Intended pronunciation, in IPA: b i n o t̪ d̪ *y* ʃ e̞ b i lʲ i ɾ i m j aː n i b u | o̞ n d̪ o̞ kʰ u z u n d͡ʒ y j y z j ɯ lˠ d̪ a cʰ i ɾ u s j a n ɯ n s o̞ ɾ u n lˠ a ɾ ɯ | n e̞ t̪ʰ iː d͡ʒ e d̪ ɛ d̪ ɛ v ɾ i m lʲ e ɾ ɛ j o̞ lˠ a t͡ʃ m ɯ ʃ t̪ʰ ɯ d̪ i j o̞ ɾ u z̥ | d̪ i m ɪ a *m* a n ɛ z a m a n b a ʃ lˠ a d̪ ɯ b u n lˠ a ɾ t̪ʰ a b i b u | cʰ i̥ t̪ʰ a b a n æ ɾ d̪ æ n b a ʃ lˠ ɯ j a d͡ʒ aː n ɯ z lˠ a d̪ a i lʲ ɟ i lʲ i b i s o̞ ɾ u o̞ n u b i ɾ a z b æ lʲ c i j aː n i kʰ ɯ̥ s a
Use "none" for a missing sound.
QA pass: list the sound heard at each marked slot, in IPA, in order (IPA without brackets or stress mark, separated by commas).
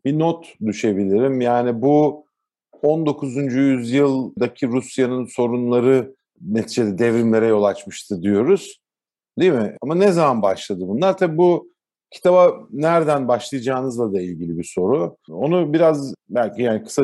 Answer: y, m